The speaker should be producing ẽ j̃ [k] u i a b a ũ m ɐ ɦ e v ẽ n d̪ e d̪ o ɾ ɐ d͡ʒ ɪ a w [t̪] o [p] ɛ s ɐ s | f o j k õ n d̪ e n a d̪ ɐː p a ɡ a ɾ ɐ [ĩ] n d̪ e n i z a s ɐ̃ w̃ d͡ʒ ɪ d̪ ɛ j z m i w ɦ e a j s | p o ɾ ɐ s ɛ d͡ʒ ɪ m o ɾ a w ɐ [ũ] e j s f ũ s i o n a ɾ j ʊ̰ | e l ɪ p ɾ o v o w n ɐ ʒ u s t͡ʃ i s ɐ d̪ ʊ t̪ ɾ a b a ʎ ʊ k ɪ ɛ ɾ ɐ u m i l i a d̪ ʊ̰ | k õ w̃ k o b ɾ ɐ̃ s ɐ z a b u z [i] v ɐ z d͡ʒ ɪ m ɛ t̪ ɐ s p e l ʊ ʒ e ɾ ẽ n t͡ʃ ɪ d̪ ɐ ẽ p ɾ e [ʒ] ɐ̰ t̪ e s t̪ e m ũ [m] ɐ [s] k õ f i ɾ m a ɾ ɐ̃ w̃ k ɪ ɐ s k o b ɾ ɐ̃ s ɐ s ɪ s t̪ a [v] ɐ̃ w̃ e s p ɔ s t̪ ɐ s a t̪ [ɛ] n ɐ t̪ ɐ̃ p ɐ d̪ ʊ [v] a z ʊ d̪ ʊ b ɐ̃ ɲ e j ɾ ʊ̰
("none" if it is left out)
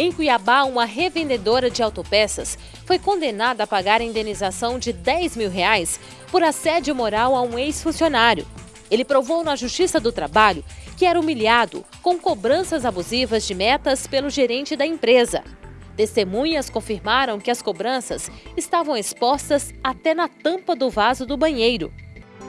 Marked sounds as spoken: k, t̪, p, ĩ, ũ, i, z, ɲ, s, v, ɛ, v

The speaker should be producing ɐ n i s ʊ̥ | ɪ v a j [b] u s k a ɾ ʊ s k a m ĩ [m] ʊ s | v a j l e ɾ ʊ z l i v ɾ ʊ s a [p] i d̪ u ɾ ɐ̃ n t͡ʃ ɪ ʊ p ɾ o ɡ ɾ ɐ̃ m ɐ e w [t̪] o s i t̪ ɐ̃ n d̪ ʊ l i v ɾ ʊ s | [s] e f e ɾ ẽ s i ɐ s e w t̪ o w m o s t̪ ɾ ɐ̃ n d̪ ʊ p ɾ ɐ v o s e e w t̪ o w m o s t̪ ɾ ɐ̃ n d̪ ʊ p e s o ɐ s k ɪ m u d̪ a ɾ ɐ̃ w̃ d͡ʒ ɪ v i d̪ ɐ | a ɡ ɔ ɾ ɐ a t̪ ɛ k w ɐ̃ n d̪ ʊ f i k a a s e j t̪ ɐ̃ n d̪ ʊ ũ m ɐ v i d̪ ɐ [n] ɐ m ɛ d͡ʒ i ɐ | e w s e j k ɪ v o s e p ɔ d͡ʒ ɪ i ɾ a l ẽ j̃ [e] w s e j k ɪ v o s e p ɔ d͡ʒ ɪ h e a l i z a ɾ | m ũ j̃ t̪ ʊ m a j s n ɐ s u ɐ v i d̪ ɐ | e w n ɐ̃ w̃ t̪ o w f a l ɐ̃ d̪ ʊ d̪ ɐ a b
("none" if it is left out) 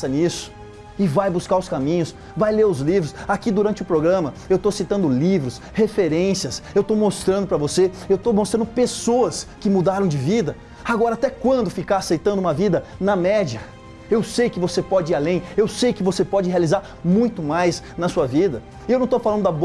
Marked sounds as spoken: b, ɲ, k, t̪, h, n, e

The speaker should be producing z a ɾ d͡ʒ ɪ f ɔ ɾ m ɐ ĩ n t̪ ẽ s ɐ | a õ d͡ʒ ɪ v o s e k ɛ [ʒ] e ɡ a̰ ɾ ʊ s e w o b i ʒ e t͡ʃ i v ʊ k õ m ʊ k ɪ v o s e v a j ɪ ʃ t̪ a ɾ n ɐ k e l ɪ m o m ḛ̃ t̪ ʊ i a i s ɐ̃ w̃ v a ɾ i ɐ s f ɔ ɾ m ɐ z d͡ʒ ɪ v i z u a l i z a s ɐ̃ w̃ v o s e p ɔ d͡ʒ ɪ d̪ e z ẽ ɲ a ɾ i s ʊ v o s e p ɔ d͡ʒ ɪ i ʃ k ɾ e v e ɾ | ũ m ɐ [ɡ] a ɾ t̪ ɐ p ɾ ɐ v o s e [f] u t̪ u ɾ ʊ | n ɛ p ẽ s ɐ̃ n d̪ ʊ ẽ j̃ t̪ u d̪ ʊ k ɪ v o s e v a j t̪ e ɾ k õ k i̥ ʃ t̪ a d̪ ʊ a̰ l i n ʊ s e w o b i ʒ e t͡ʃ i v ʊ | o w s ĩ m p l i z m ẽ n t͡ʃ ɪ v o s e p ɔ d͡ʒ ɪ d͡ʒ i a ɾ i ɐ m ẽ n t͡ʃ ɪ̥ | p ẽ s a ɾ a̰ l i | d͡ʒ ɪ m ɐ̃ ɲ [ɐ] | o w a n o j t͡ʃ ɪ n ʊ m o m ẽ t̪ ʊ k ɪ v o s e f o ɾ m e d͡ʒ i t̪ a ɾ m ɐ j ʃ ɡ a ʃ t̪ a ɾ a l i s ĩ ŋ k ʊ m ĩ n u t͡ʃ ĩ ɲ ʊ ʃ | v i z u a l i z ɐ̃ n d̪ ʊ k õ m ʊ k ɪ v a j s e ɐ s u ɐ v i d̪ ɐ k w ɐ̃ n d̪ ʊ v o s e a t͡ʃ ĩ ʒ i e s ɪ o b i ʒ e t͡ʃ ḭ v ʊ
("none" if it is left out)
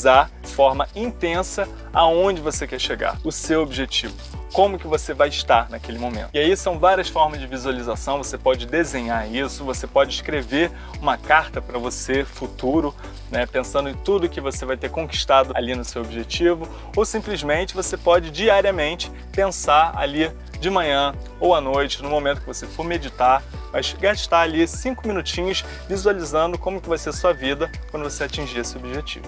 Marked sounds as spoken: ʃ, k, f, ɐ̃

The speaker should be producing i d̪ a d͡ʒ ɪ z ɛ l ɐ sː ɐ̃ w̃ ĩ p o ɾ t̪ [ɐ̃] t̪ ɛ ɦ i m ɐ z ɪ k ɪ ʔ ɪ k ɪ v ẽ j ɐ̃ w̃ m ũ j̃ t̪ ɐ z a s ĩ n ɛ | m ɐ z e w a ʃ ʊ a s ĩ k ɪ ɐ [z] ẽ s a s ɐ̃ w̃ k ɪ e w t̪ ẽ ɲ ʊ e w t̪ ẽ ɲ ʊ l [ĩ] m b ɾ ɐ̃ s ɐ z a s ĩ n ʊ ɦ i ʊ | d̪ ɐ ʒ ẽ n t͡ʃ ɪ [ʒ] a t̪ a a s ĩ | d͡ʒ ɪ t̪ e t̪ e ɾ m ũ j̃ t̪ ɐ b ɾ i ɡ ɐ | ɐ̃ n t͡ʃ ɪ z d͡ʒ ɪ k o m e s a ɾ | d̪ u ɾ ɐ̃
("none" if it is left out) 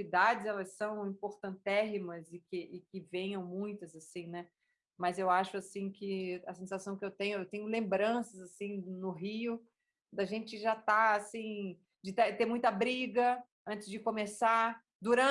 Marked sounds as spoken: ɐ̃, s, ẽ, ʒ

